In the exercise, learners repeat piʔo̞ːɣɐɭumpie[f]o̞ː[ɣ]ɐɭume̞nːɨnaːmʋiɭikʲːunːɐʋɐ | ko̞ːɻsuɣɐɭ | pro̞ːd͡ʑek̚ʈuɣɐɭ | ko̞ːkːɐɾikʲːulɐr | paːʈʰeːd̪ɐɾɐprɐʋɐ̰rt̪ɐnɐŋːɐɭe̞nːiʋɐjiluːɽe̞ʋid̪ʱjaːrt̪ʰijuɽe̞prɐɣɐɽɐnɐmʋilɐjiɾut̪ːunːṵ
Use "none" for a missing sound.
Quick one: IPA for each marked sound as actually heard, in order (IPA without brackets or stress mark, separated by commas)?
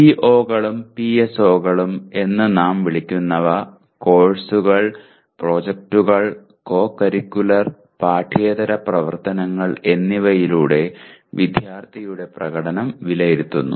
s, ɣ